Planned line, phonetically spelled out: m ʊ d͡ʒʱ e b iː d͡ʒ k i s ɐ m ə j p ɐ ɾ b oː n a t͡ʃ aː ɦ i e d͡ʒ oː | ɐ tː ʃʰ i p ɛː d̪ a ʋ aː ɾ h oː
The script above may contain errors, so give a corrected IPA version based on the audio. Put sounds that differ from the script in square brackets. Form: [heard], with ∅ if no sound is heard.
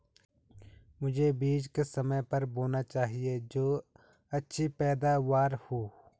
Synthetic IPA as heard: m ʊ d͡ʒʱ e b iː d͡ʒ k [e] s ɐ m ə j p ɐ ɾ b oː n a t͡ʃ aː ɦ i e d͡ʒ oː | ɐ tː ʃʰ i p ɛː d̪ a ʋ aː ɾ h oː